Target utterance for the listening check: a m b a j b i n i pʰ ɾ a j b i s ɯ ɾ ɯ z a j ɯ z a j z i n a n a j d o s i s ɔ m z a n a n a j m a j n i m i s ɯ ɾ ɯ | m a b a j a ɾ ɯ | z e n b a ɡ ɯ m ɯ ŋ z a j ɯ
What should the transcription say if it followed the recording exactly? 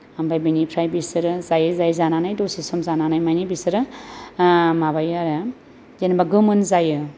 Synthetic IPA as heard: a m b a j b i n i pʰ ɾ a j b i s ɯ ɾ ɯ z a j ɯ z a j z a n a n a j d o s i s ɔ m z a n a n a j m a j n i b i s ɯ ɾ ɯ | m a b a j a ɾ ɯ | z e n b a ɡ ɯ m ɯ n z a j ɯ